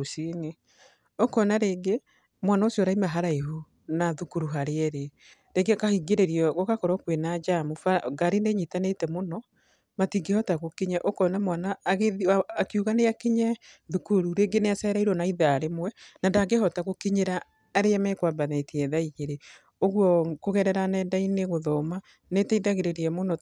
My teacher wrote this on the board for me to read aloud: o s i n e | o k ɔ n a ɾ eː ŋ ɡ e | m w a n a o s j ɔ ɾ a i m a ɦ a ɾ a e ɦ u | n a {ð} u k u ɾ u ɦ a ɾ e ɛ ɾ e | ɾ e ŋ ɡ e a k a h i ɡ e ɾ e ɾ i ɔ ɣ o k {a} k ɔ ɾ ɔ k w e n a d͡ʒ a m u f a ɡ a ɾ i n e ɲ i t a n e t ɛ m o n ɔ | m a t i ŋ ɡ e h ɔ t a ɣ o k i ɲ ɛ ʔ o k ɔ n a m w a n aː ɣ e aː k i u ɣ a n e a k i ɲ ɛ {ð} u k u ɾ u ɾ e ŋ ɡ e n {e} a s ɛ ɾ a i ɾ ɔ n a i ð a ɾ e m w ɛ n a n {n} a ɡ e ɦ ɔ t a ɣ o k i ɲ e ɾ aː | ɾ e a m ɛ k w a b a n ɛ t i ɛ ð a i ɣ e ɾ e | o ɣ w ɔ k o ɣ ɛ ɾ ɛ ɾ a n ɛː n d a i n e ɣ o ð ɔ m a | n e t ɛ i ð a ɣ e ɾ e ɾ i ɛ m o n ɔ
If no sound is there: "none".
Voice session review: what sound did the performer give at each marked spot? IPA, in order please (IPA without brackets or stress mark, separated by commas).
ð, a, ð, e, d